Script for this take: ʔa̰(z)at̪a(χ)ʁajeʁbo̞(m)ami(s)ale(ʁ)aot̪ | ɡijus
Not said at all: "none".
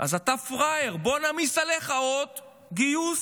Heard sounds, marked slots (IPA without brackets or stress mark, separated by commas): z, f, n, s, χ